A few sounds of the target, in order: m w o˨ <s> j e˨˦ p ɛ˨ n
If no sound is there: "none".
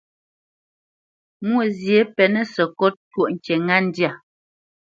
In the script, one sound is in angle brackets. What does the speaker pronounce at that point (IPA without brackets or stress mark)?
z